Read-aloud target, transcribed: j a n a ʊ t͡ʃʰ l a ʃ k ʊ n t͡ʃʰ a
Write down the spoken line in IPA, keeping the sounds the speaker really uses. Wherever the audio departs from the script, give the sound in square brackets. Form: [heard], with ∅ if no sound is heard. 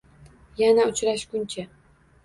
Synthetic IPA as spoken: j a n a ʊ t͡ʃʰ [ɾ] a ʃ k ʊ n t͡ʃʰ a

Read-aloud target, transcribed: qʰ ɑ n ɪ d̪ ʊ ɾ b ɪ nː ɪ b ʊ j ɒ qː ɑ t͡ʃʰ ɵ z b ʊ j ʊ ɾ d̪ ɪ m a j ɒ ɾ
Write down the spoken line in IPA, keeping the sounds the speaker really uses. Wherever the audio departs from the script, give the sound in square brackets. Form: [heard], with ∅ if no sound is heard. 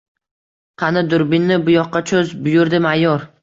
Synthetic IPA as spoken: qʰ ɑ n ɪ d̪ ʊ ɾ b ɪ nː ɪ b ʊ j ɒ qː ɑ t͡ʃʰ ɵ z b ʊ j ʊ ɾ d̪ ɪ m a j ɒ ɾ

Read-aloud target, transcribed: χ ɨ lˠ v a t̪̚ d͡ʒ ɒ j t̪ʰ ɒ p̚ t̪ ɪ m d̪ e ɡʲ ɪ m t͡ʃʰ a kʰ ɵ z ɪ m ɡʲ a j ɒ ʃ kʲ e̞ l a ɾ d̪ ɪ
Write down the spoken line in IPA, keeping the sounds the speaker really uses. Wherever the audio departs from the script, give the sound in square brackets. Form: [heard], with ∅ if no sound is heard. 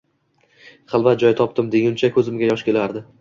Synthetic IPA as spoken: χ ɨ lˠ v a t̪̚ d͡ʒ ɒ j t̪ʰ ɒ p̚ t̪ ɪ m d̪ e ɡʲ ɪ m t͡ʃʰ a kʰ ɵ z ɪ m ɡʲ a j ɒ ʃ kʲ e̞ l a ɾ d̪ ɪ

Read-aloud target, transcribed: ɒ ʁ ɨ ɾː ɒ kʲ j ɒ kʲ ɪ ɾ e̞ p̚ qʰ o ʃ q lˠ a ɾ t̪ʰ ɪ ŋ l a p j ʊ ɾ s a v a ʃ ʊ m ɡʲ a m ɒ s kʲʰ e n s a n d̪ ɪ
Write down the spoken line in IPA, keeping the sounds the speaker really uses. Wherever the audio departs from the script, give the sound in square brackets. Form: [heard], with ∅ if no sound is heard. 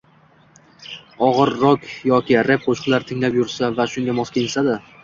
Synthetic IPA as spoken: ɒ ʁ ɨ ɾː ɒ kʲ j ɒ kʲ ɪ ɾ e̞ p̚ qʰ o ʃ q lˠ a ɾ t̪ʰ ɪ ŋ l a p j ʊ ɾ s a v a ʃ ʊ [ŋ] ɡʲ a m ɒ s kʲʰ e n s a [∅] d̪ ɪ

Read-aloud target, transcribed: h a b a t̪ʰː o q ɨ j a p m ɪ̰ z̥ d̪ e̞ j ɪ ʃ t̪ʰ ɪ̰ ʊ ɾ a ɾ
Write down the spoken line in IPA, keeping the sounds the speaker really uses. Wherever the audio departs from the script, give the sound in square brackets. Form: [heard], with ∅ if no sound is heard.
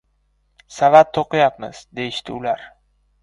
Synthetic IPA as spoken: [s] a [v] a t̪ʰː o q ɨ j a p m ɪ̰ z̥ d̪ e̞ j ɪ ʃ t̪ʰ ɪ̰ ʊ [l] a ɾ

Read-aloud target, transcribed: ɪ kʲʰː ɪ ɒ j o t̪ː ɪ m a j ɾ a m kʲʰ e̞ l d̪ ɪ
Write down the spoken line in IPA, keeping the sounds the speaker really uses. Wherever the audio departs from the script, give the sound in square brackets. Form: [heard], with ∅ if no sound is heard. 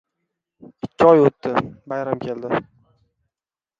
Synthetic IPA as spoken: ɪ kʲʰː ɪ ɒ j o t̪ː ɪ [b] a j ɾ a m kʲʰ e̞ l d̪ ɪ

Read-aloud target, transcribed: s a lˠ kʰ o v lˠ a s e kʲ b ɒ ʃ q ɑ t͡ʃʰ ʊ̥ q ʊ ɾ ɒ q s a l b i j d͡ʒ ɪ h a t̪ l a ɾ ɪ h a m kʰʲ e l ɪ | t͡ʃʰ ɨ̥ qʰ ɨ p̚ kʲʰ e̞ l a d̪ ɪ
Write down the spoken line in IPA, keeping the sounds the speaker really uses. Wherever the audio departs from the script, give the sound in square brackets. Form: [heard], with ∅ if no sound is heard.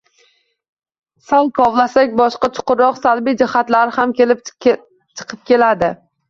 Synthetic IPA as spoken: s a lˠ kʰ [ɒ] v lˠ a s [a] kʲ b ɒ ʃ q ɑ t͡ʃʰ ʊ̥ q ʊ ɾ ɒ q s a l b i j d͡ʒ ɪ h a t̪ l a ɾ ɪ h a m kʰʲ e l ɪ | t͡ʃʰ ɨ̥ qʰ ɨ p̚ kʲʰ e̞ l a d̪ ɪ

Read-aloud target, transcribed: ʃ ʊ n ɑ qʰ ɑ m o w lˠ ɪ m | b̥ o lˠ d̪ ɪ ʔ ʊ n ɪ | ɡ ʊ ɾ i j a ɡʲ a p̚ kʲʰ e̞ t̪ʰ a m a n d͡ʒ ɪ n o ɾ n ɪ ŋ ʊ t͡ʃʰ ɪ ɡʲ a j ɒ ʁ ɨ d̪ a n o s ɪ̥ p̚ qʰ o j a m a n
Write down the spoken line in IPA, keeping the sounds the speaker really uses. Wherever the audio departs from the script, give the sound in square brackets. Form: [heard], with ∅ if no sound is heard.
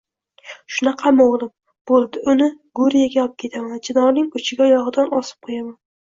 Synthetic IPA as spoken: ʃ ʊ n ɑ qʰ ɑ m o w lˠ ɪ m | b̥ o lˠ d̪ ɪ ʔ ʊ n ɪ | ɡ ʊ ɾ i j a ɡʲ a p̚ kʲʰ e̞ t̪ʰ a m a n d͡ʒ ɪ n [ɒ] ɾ n ɪ ŋ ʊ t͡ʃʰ ɪ ɡʲ a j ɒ ʁ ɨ d̪ a n [ɒ] s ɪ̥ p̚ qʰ o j a m a n

